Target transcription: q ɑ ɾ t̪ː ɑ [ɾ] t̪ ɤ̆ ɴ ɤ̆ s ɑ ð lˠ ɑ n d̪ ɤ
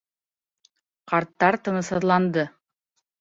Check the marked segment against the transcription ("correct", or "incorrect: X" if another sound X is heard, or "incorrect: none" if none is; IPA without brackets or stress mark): correct